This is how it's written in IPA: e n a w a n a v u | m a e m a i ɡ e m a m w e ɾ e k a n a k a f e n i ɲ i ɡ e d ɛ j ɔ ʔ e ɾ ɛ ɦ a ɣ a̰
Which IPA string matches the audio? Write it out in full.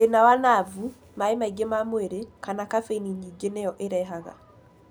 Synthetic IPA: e n a w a n a v u | m a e m a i ɡ e m a m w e ɾ e k a n a k a f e n i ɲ i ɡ e n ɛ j ɔ ʔ e ɾ ɛ ɦ a ɣ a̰